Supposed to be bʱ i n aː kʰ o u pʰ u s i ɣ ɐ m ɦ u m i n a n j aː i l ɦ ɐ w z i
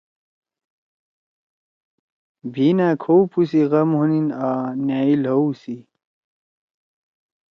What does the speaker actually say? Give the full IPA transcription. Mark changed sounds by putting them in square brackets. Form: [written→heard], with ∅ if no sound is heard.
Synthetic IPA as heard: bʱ i n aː kʰ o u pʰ u s i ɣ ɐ m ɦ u [m→n] i n a n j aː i l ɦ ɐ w [z→s] i